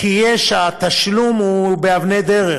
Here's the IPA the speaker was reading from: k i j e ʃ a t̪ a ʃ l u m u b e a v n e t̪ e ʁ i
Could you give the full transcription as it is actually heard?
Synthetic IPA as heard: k i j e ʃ a t̪ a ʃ l u m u b e a v n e d̪ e ʁ e